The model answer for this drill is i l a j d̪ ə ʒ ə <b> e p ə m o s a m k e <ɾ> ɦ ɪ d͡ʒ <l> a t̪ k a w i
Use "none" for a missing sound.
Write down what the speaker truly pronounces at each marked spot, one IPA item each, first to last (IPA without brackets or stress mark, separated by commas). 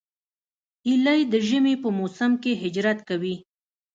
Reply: m, none, ɾ